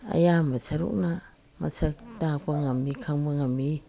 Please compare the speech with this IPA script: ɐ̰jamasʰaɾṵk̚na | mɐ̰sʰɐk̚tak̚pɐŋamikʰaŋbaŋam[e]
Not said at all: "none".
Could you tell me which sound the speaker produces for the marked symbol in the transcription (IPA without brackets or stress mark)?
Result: i